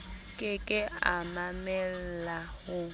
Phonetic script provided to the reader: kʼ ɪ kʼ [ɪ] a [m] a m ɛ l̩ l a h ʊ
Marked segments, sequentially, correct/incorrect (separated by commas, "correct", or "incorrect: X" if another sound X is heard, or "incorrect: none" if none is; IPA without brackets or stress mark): correct, correct